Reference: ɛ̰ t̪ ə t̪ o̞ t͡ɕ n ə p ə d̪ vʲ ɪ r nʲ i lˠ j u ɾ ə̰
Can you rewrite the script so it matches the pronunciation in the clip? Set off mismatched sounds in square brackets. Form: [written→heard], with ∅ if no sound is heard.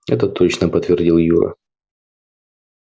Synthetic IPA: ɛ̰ t̪ ə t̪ o̞ t͡ɕ n ə p ə [d̪→t̪] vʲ ɪ r [nʲ→dʲ] i lˠ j u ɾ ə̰